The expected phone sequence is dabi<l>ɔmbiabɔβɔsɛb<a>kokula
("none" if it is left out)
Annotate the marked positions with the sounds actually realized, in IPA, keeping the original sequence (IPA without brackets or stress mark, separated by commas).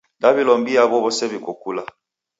l, i